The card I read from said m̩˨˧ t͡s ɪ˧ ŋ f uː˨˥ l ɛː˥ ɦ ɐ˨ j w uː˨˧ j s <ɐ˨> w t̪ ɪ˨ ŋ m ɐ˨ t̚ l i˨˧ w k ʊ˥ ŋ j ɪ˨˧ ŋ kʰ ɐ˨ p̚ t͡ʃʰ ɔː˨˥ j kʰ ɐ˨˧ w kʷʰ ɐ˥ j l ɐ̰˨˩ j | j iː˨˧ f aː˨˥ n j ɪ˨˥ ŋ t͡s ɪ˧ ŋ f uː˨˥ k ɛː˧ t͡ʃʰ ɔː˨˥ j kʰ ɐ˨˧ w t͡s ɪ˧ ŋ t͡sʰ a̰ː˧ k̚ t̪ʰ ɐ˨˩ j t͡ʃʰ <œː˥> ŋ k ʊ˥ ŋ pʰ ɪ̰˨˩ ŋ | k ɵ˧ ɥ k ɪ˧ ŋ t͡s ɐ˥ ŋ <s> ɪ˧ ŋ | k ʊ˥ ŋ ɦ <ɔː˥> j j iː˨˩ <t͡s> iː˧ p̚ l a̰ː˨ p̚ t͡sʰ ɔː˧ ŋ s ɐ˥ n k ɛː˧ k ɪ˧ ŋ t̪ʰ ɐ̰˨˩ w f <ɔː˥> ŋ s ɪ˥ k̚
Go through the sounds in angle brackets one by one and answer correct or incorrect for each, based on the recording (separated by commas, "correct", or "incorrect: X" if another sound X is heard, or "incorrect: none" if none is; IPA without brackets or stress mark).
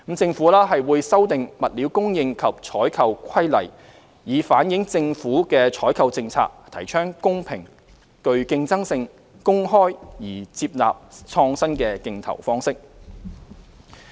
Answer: incorrect: ɐ˥, correct, correct, correct, correct, correct